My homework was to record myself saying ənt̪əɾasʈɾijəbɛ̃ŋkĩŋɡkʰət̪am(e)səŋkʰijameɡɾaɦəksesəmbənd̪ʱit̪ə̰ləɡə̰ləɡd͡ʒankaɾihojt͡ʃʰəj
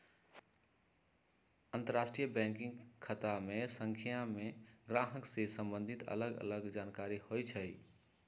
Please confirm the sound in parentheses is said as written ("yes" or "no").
yes